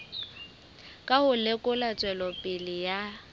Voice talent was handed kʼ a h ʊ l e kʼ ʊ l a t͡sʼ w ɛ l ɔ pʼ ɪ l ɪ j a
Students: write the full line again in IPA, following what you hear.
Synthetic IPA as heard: kʼ a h ʊ l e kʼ ʊ l a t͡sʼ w ɛ l ɔ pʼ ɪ l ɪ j a